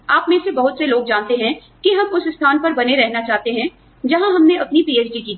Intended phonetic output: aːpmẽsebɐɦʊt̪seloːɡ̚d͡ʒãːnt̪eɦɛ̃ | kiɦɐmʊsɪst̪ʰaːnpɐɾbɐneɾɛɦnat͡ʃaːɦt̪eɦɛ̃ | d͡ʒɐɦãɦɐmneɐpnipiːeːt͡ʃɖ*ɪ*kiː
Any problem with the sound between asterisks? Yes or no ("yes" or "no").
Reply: yes